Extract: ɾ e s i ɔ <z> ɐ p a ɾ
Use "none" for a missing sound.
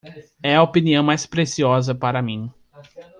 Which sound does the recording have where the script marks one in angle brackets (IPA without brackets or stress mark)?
z